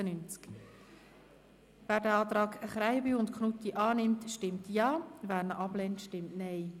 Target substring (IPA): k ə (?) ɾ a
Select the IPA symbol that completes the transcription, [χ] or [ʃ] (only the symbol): χ